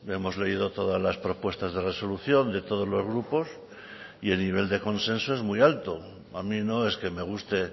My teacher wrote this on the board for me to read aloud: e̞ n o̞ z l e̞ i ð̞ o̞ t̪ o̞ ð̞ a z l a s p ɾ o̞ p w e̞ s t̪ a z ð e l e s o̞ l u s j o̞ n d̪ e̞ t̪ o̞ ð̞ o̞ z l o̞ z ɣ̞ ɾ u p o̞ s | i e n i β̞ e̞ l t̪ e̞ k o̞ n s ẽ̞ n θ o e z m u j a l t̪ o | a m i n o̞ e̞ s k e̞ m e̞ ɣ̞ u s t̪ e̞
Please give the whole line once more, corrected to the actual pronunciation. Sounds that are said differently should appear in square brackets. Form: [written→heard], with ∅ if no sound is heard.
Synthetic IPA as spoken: e̞ [n→m] o̞ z l e̞ i ð̞ o̞ t̪ o̞ ð̞ a z l a s p ɾ o̞ p w e̞ s t̪ a z ð e [l→r] e s o̞ l u [s→θ] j o̞ n d̪ e̞ t̪ o̞ ð̞ o̞ z l o̞ z ɣ̞ ɾ u p o̞ s | i e n i β̞ e̞ l [t̪→d̪] e̞ k o̞ n s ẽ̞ n [θ→s] o e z m u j a l t̪ o | a m i n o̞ e̞ s k e̞ m e̞ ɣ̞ u s t̪ e̞